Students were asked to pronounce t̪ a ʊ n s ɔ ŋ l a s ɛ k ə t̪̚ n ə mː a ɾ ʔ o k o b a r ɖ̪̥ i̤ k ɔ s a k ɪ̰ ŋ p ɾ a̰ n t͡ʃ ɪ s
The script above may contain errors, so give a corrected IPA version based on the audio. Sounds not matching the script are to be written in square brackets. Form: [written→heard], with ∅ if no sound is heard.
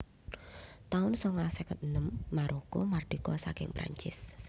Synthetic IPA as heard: t̪ a ʊ n s ɔ ŋ l a s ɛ k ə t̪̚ n ə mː a ɾ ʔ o k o [b→m] a r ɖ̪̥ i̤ k ɔ s a k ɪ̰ ŋ p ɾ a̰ [n→ɲ] t͡ʃ ɪ s